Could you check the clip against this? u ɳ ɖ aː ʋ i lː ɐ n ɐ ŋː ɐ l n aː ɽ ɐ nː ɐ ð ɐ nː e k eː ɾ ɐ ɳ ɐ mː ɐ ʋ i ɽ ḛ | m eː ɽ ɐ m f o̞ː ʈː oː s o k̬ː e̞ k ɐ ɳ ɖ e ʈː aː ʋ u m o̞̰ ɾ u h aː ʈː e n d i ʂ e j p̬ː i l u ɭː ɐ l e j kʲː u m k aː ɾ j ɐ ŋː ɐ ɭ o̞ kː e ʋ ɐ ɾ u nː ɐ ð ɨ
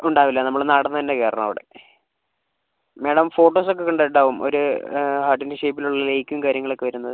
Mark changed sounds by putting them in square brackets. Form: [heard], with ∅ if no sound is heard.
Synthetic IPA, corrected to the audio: u ɳ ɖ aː ʋ i lː ɐ n ɐ [mː] ɐ [ɭ] n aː ɽ ɐ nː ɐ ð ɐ nː e k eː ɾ ɐ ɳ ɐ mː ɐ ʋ i ɽ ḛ | m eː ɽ ɐ m f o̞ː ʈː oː s o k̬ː e̞ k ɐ ɳ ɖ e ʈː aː ʋ u m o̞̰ ɾ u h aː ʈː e n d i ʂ e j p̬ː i l u ɭː ɐ l e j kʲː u m k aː ɾ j ɐ ŋː ɐ ɭ o̞ kː e ʋ ɐ ɾ u nː ɐ ð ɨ